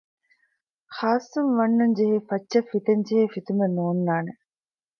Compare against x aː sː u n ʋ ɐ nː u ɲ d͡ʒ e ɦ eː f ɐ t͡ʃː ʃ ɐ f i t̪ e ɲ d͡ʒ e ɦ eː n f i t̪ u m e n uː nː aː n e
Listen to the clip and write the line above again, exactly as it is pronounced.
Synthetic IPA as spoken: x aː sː u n ʋ ɐ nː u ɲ d͡ʒ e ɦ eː f ɐ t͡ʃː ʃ ɐ f i t̪ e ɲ d͡ʒ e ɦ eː f i t̪ u m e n uː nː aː n e